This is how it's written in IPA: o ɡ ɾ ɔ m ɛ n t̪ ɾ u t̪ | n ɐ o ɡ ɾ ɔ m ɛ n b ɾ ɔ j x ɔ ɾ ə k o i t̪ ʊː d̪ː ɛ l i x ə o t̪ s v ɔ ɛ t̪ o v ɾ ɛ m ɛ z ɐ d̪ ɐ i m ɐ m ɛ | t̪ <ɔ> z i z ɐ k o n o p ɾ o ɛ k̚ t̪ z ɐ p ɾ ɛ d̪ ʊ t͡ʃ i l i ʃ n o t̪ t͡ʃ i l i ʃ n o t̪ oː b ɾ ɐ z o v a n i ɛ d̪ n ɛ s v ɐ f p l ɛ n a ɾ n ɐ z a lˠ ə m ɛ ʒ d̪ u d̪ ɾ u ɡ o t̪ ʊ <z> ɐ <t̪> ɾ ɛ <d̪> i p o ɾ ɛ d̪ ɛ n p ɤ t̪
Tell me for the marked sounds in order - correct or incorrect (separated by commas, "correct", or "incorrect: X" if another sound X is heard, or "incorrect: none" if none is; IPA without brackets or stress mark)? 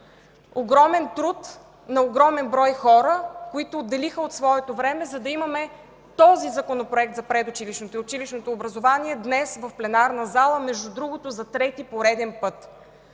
correct, correct, correct, incorrect: t̪